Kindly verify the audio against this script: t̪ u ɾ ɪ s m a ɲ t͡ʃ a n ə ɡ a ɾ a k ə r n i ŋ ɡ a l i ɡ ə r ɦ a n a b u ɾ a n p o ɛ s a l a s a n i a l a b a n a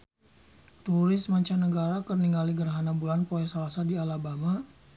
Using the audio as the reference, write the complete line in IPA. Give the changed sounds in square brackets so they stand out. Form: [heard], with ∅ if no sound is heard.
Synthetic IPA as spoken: t̪ u ɾ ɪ s m a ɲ t͡ʃ a n ə ɡ a ɾ a k ə r n i ŋ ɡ a l i ɡ ə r ɦ a n a b u [l] a n p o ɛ s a l a s a [d] i a l a b a [m] a